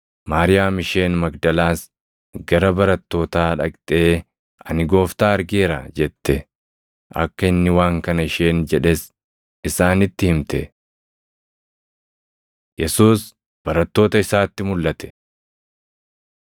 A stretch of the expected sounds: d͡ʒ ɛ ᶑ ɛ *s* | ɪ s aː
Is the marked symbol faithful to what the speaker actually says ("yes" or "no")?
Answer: yes